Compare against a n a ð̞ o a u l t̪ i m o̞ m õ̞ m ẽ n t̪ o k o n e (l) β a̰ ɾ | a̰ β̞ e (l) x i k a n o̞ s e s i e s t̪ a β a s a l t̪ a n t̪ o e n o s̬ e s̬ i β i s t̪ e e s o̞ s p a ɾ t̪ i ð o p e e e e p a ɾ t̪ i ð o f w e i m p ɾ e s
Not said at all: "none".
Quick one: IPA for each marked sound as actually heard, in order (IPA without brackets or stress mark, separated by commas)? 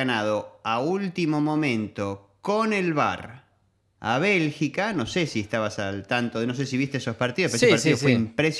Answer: l, l